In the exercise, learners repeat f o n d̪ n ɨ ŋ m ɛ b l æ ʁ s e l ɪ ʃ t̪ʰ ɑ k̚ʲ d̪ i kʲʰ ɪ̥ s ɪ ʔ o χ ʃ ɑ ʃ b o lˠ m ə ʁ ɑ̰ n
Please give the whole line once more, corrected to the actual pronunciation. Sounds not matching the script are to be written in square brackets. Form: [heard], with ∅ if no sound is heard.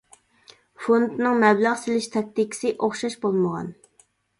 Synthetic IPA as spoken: f o n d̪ n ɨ ŋ m ɛ b l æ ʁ s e l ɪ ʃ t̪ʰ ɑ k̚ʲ [t̪] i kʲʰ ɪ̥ s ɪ ʔ o χ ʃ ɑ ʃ b o lˠ m ə ʁ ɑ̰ n